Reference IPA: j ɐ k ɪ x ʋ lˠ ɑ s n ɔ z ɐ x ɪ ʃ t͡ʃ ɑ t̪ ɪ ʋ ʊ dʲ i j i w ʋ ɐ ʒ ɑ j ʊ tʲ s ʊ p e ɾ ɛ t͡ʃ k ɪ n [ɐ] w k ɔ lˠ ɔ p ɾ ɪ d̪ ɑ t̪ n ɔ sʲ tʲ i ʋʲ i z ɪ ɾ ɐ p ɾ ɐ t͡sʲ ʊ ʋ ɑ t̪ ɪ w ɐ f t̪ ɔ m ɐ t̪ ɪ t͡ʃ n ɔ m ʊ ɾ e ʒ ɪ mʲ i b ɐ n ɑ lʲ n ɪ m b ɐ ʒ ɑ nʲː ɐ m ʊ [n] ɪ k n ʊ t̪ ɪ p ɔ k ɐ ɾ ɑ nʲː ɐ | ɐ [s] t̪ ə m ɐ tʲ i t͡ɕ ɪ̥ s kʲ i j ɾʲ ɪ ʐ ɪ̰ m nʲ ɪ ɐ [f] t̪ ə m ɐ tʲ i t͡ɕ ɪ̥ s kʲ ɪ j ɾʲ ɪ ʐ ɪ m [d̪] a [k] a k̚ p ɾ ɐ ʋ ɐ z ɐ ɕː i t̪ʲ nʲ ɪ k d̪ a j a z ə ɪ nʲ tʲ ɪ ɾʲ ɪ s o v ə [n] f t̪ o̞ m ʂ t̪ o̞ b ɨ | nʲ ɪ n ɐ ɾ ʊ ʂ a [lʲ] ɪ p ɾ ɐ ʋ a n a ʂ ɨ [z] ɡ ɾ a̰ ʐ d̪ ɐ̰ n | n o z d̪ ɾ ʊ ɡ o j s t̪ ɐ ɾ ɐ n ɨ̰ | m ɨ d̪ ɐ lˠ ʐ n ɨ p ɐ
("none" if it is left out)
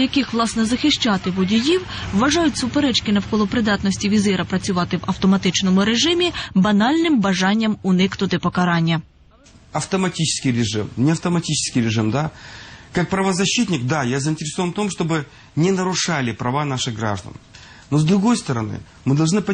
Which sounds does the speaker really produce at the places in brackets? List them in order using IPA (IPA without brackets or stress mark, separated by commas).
ɐ, n, f, f, d̪, k, n, lʲ, ɣ